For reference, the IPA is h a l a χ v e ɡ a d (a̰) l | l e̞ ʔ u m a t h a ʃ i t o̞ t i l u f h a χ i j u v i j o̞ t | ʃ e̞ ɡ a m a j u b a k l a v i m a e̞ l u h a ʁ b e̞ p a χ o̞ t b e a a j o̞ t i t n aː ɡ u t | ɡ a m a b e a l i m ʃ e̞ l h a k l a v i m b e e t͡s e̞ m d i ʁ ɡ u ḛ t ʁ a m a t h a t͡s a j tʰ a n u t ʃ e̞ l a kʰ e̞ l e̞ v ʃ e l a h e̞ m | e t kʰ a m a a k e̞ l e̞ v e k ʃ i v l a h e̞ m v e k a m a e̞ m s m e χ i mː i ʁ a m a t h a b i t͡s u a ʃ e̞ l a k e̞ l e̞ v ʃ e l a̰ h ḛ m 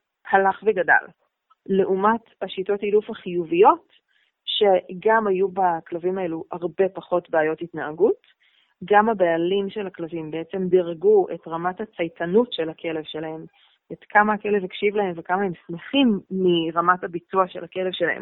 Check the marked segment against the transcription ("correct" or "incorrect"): correct